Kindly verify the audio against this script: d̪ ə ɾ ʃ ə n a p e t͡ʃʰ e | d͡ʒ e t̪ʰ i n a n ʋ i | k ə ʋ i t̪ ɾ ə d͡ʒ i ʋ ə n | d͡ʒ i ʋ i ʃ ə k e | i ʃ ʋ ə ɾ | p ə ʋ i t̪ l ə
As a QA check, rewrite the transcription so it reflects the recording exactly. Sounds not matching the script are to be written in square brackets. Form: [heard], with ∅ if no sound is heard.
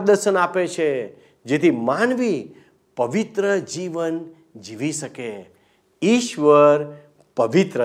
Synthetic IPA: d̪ ə ɾ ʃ ə n a p e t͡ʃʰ e | d͡ʒ e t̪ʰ i [m] a n ʋ i | [p] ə ʋ i t̪ ɾ ə d͡ʒ i ʋ ə n | d͡ʒ i ʋ i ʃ ə k e | i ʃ ʋ ə ɾ | p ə ʋ i t̪ [ɾ] ə